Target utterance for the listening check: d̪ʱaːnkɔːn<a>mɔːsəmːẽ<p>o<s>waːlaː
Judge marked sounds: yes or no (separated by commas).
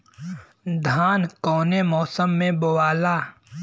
no, no, no